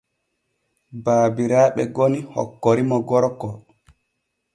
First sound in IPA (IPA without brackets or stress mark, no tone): b